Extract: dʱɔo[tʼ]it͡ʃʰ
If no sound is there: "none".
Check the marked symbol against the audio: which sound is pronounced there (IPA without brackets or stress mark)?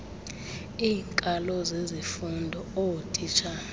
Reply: tʼ